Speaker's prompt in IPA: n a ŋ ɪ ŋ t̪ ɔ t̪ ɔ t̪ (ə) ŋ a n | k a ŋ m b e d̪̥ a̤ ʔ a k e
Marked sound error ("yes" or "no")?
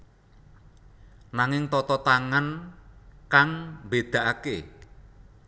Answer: yes